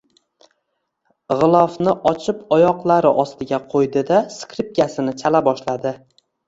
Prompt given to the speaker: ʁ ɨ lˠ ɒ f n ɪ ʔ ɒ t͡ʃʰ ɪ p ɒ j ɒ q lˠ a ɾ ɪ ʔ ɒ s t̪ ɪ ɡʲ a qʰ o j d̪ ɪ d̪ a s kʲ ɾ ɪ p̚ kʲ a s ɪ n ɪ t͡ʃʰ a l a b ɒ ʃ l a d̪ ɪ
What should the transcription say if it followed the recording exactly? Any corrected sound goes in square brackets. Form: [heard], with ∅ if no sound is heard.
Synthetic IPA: ʁ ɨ lˠ ɒ f n ɪ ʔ ɒ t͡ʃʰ ɪ p ɒ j ɒ q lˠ a ɾ ɪ ʔ ɒ s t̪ ɪ ɡʲ a qʰ o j d̪ ɪ d̪ a s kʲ ɾ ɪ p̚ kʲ a s ɪ n ɪ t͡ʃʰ a l a b ɒ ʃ l a d̪ ɪ